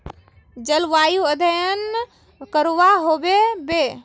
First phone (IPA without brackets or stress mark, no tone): d͡ʒ